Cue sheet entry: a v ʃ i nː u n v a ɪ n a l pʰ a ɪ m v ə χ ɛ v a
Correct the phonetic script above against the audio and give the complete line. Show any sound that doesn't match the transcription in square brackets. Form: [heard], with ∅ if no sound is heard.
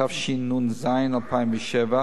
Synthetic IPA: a [f] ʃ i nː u n [z] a ɪ n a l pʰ a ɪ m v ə [ʃ] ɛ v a